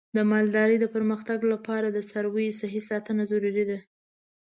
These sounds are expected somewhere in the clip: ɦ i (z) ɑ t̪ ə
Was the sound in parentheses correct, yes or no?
no